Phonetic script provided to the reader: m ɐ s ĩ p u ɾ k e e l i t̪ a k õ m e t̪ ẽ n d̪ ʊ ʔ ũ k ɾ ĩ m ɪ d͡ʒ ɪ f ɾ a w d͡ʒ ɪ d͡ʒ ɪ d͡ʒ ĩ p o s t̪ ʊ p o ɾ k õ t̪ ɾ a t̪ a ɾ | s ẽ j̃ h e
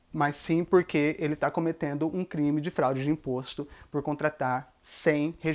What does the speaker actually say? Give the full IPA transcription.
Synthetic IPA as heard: m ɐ s ĩ p o ɾ k e e l ɪ t̪ a k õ m e t̪ ẽ n d̪ ʊ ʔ ũ k ɾ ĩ m ɪ d͡ʒ ɪ f ɾ a w d͡ʒ ɪ d͡ʒ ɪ ĩ p o s t̪ ʊ p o ɾ k õ t̪ ɾ a t̪ a ɾ | s ẽ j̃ h e